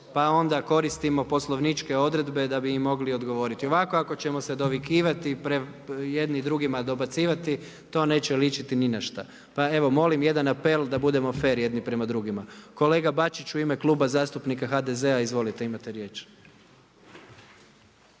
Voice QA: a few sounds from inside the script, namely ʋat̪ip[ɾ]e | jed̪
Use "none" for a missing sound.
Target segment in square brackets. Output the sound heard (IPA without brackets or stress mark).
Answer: ɾ